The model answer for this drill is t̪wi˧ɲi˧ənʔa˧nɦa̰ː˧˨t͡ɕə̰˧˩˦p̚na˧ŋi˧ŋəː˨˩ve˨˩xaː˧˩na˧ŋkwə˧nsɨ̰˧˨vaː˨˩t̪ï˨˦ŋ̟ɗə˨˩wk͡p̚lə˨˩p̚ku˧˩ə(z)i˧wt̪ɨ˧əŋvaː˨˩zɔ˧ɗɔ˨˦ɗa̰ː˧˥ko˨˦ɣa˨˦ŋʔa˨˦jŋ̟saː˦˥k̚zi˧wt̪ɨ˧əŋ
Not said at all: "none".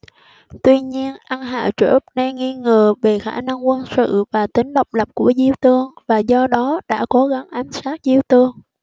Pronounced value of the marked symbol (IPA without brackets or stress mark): z